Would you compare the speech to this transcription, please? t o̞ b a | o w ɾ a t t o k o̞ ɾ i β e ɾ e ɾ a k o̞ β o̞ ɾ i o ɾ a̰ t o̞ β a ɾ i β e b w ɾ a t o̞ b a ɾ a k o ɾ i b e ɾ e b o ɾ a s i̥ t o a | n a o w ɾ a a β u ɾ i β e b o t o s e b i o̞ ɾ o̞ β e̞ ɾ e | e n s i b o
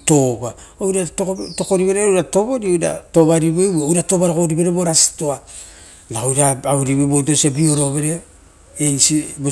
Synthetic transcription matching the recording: t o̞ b a | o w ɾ a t t o k o̞ ɾ i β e ɾ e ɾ a t o̞ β o̞ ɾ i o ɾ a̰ t o̞ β a ɾ i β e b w ɾ a t o̞ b a ɾ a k o ɾ i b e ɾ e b o ɾ a s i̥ t o a | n a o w ɾ a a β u ɾ i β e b o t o s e b i o̞ ɾ o̞ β e̞ ɾ e | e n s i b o